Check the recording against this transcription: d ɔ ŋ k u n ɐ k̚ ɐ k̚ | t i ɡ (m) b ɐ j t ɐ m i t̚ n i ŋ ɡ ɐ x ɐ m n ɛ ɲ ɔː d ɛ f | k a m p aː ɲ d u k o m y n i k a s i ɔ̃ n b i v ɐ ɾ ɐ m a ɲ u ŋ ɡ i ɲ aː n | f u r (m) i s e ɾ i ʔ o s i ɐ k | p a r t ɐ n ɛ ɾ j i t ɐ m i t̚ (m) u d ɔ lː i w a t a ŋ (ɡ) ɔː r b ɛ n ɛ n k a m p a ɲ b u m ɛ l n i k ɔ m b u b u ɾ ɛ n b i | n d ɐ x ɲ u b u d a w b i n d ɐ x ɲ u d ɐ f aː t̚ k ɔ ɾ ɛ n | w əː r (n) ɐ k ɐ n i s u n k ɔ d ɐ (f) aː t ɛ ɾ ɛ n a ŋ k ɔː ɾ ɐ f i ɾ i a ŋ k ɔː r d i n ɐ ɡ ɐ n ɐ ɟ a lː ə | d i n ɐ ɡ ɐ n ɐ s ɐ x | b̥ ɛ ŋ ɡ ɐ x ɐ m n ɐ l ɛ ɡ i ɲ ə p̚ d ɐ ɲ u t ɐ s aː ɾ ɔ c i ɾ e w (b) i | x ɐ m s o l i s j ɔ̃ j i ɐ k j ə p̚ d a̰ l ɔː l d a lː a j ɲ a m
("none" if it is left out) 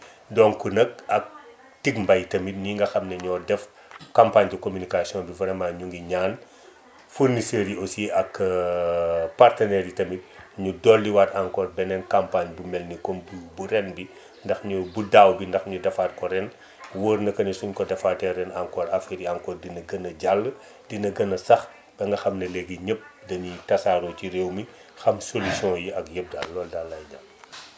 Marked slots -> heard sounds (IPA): m, n, ɲ, k, n, f, m

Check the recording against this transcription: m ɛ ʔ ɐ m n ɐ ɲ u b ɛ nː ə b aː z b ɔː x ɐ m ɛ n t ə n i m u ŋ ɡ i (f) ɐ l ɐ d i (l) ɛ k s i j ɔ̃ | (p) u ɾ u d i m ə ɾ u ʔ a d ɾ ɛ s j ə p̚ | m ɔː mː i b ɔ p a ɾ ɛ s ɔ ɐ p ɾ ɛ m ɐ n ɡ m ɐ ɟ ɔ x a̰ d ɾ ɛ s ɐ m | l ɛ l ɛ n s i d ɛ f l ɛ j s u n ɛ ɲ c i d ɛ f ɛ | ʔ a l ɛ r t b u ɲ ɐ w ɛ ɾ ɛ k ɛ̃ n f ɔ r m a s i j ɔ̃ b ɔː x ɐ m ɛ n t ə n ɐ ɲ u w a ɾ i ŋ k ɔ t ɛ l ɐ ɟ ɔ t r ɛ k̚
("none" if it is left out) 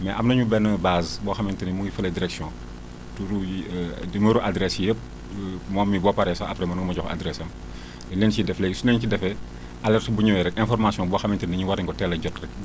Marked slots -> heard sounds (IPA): f, ɾ, t

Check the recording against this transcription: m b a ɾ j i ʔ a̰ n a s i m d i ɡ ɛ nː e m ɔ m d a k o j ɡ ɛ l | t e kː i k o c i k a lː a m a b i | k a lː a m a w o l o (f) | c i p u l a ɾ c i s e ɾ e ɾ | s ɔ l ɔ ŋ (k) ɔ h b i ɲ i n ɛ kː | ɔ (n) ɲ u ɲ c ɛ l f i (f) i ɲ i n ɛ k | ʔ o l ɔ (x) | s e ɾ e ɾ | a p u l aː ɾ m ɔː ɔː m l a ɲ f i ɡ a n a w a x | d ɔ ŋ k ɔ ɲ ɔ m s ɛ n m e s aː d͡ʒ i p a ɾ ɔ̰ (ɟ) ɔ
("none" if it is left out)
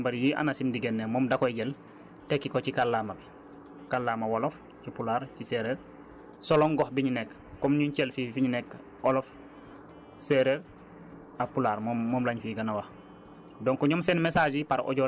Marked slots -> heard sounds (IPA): f, ɡ, m, f, f, ɟ

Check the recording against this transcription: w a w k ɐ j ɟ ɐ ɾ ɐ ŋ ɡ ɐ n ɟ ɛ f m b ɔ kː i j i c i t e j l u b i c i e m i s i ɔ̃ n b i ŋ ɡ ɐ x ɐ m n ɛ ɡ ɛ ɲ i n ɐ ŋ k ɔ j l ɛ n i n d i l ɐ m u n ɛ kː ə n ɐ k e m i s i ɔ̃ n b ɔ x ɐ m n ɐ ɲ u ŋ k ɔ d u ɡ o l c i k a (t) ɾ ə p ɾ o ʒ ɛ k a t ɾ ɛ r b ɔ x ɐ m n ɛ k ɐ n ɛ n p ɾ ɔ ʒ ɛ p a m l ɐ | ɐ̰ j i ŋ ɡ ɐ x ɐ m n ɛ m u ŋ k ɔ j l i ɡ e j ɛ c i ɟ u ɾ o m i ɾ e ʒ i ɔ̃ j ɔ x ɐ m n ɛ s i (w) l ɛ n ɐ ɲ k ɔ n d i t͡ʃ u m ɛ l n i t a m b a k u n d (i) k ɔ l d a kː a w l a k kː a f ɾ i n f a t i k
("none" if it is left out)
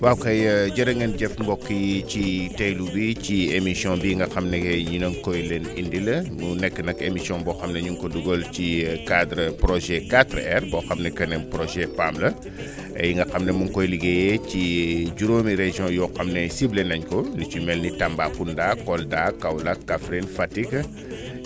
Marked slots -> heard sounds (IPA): d, b, a

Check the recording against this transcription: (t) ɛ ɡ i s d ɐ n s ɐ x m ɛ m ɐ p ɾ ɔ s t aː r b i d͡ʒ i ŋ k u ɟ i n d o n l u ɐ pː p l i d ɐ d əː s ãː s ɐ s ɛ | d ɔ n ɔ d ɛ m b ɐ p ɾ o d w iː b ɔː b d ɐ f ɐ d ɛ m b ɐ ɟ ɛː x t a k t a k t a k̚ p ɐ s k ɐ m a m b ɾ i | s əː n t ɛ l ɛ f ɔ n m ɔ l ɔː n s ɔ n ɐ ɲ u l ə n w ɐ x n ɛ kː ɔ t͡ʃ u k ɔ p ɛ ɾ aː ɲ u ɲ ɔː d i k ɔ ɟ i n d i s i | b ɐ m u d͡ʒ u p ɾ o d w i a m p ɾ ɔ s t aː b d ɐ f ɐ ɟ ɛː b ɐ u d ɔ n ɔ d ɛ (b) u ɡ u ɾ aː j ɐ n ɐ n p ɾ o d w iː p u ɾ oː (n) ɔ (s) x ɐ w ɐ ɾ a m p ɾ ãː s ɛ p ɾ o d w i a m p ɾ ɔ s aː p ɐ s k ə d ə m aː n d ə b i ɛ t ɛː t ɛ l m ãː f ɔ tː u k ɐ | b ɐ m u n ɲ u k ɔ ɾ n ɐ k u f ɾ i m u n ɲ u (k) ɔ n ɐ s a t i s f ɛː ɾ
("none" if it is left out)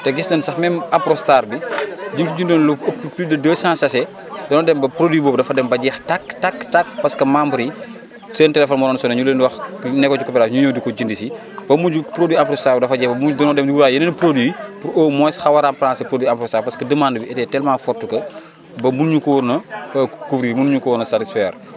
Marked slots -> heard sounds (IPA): t, m, m, s, k

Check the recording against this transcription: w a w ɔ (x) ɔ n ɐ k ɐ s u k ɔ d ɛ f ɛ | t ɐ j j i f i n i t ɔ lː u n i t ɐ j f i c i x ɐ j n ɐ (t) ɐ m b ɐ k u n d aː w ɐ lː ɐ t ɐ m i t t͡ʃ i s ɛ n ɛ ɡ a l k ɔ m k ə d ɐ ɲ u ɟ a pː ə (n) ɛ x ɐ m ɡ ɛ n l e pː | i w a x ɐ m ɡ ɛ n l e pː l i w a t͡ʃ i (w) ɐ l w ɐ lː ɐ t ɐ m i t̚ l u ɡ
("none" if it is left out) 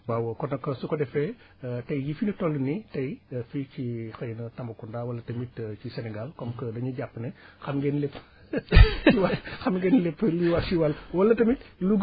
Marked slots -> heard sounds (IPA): k, t, n, w

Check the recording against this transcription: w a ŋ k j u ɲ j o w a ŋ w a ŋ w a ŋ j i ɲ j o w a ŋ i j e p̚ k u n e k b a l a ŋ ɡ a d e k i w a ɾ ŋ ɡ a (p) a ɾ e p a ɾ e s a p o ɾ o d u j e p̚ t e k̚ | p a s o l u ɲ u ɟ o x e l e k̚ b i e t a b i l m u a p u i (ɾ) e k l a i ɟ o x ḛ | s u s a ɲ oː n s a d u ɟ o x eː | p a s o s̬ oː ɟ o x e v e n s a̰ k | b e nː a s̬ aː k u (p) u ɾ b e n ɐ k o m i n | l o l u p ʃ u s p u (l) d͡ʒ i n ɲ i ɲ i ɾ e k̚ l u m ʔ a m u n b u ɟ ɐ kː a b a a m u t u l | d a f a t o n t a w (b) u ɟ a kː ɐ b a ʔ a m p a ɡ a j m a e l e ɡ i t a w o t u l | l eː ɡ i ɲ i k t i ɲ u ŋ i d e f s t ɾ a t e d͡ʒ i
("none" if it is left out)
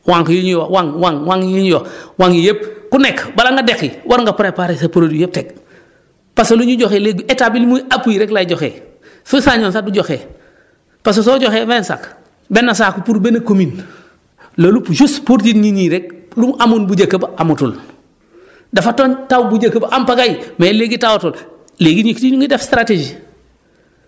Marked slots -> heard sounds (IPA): p, ɾ, p, ɾ, b

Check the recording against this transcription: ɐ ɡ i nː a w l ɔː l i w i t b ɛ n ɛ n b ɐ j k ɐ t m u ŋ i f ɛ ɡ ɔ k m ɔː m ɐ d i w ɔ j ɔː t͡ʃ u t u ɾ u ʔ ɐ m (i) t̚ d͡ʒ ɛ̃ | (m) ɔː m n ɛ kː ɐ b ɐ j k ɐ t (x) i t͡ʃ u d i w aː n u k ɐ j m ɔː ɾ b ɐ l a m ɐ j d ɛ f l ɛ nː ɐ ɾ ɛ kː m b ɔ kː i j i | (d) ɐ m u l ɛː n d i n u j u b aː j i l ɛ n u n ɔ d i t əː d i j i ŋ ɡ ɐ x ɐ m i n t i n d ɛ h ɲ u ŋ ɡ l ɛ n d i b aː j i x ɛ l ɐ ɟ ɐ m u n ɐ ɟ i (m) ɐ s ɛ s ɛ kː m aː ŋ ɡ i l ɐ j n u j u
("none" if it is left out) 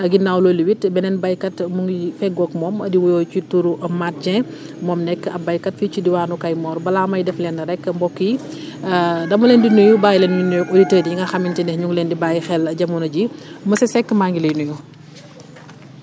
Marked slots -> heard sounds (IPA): a, m, f, d, m

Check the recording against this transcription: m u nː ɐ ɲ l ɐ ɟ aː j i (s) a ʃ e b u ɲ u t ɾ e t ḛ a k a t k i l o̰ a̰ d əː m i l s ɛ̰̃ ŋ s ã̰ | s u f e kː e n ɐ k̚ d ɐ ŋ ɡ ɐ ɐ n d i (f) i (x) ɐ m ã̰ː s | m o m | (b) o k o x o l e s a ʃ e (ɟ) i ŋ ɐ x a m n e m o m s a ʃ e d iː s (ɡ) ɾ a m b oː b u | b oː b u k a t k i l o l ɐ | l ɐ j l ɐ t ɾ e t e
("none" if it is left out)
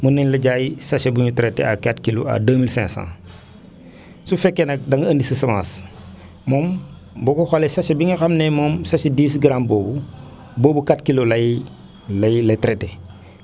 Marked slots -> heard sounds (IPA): s, s, s, b, b, ɡ

